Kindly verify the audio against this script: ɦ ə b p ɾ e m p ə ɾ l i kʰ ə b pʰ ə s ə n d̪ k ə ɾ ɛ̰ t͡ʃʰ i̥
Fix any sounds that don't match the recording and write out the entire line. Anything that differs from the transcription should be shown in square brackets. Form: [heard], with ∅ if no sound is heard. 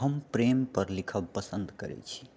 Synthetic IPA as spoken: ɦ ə [m] p ɾ e m p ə ɾ l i kʰ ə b [p] ə s ə n d̪ k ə ɾ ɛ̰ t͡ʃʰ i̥